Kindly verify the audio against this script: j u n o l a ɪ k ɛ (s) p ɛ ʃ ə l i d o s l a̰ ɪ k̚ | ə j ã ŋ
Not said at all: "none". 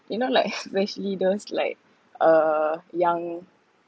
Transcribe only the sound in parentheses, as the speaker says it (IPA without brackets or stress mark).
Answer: s